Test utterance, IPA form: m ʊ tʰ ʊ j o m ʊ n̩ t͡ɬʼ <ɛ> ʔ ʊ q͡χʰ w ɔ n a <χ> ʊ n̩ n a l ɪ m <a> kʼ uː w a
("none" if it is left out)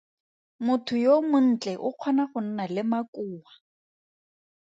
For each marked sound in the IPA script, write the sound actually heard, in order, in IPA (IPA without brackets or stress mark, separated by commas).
ɛ, χ, a